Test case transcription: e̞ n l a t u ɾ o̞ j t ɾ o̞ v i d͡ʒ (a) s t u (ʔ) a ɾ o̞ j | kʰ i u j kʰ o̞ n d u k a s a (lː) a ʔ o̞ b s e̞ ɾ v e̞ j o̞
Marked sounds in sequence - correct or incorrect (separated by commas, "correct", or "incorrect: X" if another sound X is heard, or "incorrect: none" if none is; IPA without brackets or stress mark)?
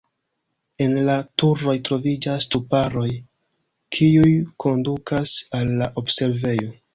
correct, incorrect: p, correct